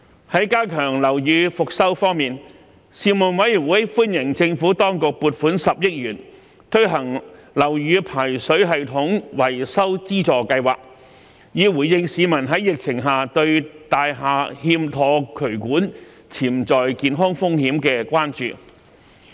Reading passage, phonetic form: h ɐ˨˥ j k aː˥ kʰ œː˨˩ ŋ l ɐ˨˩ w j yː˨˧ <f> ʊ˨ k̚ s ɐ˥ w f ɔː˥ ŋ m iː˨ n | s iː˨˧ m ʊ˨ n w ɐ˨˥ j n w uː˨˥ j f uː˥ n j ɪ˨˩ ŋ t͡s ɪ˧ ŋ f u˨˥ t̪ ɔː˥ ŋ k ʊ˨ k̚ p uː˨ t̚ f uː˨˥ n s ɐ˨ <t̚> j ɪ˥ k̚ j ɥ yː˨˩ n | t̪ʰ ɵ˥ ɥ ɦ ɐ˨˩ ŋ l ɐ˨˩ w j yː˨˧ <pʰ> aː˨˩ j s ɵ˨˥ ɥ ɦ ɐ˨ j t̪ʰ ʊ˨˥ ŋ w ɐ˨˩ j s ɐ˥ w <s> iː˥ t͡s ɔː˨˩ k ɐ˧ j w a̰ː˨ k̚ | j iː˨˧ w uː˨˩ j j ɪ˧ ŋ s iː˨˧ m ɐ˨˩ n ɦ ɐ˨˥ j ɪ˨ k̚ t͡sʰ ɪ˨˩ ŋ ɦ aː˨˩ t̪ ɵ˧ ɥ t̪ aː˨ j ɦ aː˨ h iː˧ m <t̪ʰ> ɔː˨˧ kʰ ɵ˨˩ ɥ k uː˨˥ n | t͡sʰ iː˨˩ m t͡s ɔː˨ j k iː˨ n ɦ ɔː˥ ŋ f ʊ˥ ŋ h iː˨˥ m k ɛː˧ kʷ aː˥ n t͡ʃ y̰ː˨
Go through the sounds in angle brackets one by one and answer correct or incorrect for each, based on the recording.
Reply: correct, incorrect, correct, incorrect, correct

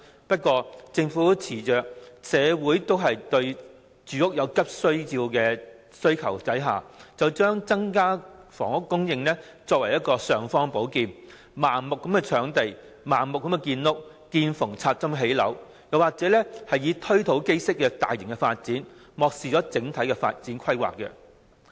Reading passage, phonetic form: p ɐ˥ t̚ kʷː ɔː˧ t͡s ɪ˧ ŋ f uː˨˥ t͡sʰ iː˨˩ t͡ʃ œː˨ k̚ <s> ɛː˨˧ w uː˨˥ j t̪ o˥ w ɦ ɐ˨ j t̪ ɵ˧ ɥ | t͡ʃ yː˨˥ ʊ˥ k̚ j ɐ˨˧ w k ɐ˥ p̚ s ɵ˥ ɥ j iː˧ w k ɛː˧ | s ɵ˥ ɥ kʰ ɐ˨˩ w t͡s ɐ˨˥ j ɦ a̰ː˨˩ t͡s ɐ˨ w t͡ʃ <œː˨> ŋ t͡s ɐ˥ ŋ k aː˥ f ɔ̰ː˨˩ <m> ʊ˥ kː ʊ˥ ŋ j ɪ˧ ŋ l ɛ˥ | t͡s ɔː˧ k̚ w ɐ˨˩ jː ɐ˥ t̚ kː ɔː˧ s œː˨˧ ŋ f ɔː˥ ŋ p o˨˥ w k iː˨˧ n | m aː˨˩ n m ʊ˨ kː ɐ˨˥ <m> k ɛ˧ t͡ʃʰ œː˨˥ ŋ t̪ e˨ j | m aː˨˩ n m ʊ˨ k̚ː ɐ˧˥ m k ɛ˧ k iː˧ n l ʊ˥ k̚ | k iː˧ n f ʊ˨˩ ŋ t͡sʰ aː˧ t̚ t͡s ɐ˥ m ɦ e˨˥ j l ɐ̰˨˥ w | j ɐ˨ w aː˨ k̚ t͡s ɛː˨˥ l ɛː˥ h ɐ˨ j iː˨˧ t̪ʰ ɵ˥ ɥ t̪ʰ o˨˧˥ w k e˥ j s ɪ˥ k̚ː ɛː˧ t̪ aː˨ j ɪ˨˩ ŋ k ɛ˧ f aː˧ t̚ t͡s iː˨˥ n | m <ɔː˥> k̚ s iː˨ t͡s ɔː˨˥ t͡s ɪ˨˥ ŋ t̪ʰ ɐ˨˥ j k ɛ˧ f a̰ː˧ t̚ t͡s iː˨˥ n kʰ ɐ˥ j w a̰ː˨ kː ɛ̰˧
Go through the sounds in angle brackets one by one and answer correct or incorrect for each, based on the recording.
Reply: correct, incorrect, incorrect, correct, incorrect

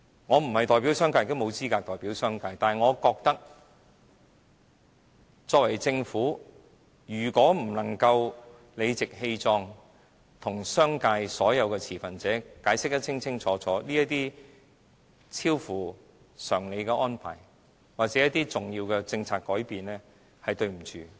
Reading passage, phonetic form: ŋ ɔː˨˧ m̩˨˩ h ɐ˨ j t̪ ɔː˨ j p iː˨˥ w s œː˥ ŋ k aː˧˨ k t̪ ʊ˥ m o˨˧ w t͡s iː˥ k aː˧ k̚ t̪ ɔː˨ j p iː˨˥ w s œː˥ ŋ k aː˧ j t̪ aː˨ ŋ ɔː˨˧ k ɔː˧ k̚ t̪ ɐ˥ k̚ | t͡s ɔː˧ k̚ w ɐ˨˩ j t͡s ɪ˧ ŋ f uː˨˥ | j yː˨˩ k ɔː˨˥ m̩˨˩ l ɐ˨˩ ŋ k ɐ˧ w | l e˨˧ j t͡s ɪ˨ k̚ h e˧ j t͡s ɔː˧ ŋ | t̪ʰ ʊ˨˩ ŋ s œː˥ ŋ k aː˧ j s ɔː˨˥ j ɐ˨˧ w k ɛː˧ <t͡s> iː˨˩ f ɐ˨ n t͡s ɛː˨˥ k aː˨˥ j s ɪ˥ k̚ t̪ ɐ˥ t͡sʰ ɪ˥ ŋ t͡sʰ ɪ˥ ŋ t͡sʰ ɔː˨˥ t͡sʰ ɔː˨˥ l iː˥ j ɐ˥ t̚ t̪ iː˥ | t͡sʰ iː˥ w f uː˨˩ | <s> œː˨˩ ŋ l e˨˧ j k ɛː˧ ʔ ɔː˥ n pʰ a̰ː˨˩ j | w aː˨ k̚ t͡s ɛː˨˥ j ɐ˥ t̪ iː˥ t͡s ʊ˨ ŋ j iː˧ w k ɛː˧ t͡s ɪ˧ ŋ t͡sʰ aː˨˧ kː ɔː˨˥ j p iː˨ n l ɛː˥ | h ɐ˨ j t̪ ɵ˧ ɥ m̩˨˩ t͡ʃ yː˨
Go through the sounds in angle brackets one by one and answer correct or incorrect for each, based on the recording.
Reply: incorrect, correct

